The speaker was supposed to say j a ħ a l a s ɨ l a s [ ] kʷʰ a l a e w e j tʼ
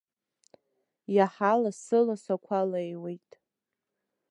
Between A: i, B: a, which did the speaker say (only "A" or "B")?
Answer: B